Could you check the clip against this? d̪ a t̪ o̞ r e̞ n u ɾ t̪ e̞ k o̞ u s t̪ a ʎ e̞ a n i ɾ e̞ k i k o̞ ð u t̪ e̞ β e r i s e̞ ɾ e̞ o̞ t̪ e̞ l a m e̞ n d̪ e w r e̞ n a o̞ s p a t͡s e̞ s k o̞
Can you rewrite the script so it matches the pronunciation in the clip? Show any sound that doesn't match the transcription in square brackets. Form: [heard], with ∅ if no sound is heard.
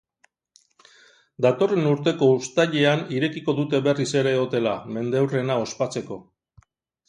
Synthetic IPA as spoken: d̪ a t̪ o̞ r e̞ n u ɾ t̪ e̞ k o̞ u s t̪ a ʎ e̞ a n i ɾ e̞ k i k o̞ ð u t̪ e̞ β e r i s e̞ ɾ e̞ o̞ t̪ e̞ l a m e̞ n d̪ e w r e̞ n a o̞ s p a t͡s e̞ [∅] k o̞

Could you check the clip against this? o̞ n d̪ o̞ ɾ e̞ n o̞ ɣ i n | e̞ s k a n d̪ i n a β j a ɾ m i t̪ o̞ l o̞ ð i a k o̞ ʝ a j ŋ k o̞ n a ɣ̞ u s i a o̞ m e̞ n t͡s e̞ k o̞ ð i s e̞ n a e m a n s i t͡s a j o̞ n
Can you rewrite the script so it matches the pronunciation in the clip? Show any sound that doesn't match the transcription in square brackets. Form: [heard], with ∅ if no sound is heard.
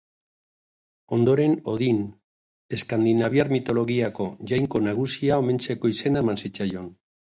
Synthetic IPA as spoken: o̞ n d̪ o̞ ɾ e̞ n o̞ [ð] i n | e̞ s k a n d̪ i n a β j a ɾ m i t̪ o̞ l o̞ [ɣ] i a k o̞ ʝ a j ŋ k o̞ n a ɣ̞ u s i a o̞ m e̞ n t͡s e̞ k o̞ [∅] i s e̞ n a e m a n s i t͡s a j o̞ n

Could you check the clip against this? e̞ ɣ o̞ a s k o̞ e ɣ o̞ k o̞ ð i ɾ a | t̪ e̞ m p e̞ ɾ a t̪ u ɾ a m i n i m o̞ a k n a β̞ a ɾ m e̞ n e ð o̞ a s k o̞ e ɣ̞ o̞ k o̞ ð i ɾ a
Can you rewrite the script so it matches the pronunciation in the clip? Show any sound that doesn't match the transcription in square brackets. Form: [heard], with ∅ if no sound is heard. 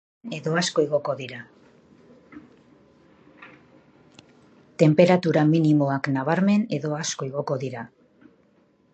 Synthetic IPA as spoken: e̞ [ð] o̞ a s k o̞ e ɣ o̞ k o̞ ð i ɾ a | t̪ e̞ m p e̞ ɾ a t̪ u ɾ a m i n i m o̞ a k n a β̞ a ɾ m e̞ n e ð o̞ a s k o̞ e ɣ̞ o̞ k o̞ ð i ɾ a

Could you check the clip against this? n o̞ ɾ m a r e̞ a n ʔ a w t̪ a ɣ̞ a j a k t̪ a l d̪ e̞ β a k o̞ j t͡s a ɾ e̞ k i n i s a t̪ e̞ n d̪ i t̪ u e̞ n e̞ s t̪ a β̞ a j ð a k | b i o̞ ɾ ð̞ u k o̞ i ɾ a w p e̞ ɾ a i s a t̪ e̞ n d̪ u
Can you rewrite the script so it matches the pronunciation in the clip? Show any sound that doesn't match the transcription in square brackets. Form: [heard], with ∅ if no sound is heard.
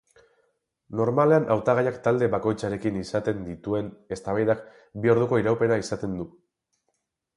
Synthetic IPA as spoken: n o̞ ɾ m a [l] e̞ a n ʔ a w t̪ a ɣ̞ a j a k t̪ a l d̪ e̞ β a k o̞ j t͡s a ɾ e̞ k i n i s a t̪ e̞ n d̪ i t̪ u e̞ n e̞ s t̪ a β̞ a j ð a k | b i o̞ ɾ ð̞ u k o̞ i ɾ a w p e̞ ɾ a i s a t̪ e̞ n d̪ u

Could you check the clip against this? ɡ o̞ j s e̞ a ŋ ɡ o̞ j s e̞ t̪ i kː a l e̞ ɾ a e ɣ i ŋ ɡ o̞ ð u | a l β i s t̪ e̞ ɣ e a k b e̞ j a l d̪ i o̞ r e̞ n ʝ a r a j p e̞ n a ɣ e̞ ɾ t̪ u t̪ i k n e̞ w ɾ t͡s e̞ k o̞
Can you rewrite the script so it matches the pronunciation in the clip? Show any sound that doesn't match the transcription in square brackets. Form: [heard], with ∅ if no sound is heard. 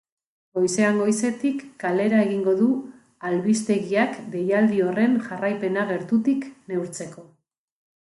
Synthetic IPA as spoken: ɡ o̞ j s e̞ a ŋ ɡ o̞ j s e̞ t̪ i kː a l e̞ ɾ a e ɣ i ŋ ɡ o̞ ð u | a l β i s t̪ e̞ ɣ [i] a k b e̞ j a l d̪ i o̞ r e̞ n ʝ a r a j p e̞ n a ɣ e̞ ɾ t̪ u t̪ i k n e̞ w ɾ t͡s e̞ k o̞

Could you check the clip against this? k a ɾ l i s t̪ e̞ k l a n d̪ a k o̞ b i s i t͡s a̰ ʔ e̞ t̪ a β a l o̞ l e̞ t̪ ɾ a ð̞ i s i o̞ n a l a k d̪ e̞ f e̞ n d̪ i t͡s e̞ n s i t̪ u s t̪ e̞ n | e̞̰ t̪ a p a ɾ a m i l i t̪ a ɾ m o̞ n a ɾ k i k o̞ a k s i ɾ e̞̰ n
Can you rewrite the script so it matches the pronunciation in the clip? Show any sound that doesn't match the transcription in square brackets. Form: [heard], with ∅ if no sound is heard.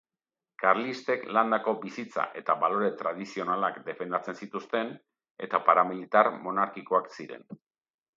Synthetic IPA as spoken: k a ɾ l i s t̪ e̞ k l a n d̪ a k o̞ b i s i t͡s a̰ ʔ e̞ t̪ a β a l o̞ [ɾ] e̞ t̪ ɾ a ð̞ i s i o̞ n a l a k d̪ e̞ f e̞ n d̪ [a] t͡s e̞ n s i t̪ u s t̪ e̞ n | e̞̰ t̪ a p a ɾ a m i l i t̪ a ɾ m o̞ n a ɾ k i k o̞ a k s i ɾ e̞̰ n

